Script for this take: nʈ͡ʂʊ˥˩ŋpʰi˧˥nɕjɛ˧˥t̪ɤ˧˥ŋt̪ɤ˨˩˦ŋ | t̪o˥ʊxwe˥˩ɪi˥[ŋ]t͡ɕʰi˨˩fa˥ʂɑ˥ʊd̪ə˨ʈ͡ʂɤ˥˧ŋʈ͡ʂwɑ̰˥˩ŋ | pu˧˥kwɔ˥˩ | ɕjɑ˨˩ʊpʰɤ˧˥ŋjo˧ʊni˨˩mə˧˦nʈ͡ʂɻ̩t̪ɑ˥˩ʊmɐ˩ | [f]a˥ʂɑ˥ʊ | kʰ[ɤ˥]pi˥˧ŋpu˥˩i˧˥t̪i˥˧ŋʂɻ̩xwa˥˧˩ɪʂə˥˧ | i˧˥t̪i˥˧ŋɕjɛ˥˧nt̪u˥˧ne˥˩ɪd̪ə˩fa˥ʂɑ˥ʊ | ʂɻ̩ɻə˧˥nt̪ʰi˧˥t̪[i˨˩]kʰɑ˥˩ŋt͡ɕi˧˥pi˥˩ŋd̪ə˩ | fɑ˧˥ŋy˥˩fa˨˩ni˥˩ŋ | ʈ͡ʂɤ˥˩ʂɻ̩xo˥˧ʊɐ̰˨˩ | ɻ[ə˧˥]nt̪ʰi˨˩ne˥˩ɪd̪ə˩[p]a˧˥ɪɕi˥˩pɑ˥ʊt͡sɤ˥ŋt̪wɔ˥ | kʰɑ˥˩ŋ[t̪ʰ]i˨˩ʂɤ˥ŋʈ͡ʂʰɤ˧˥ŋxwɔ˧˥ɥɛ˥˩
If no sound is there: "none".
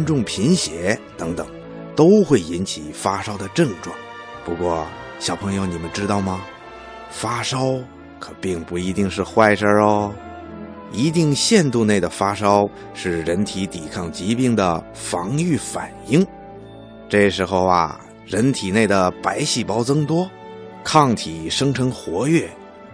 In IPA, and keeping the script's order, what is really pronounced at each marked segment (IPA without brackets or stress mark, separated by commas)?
n, f, ɤ˨˩, i˨˩, ə˧˥, p, t̪ʰ